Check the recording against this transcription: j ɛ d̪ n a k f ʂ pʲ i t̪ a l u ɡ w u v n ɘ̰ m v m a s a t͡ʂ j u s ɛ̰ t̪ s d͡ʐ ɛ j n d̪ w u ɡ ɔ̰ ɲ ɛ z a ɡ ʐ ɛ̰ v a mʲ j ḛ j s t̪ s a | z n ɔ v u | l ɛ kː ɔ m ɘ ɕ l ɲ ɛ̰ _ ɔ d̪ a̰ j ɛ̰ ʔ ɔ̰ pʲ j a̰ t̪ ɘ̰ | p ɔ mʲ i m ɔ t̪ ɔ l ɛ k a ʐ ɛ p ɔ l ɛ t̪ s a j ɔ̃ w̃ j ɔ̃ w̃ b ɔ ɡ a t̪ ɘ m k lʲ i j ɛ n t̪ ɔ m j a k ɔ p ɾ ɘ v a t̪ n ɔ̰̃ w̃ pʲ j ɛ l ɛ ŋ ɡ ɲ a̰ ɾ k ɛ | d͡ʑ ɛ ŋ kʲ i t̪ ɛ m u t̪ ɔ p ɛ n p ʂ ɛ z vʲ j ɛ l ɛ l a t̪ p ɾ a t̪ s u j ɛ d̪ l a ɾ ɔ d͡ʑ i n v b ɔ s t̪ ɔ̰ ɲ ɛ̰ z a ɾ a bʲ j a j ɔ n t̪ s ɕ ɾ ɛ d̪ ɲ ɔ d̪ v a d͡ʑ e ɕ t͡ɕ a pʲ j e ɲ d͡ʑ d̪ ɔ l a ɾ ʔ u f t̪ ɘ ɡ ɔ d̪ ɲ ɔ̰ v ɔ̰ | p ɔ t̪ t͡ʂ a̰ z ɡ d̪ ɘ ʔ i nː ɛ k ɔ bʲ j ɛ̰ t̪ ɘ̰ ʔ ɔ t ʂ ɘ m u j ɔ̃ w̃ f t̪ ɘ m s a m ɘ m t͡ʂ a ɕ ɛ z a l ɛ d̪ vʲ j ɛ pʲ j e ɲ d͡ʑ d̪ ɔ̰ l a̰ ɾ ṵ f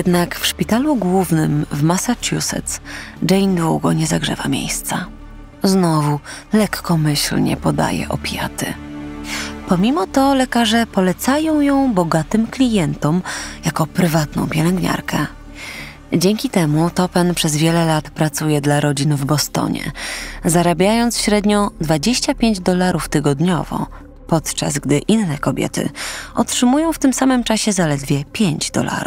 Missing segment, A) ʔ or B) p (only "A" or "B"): B